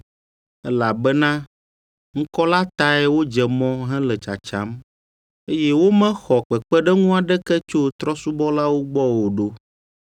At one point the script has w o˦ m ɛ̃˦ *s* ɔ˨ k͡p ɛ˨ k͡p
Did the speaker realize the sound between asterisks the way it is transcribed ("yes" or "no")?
no